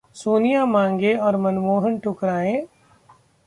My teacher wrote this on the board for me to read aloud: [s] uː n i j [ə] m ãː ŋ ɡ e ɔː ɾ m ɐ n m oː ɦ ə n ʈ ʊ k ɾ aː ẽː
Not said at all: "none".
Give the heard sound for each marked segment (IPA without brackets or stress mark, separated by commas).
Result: s, a